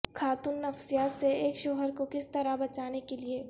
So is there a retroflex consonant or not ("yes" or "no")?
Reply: no